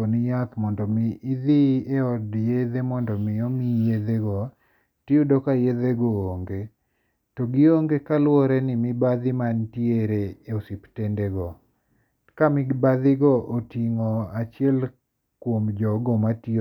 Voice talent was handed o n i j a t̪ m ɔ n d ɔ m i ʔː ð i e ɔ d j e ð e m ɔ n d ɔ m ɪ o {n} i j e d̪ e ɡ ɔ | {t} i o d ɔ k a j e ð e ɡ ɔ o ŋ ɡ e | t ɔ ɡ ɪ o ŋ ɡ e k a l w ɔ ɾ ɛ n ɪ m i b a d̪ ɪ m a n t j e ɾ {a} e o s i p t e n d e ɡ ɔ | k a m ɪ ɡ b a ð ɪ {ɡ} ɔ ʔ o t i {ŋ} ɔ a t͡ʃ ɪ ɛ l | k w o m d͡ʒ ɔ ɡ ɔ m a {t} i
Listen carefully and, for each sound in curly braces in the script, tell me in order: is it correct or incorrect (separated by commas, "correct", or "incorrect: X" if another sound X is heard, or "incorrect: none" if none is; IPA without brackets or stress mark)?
incorrect: m, correct, incorrect: e, correct, correct, correct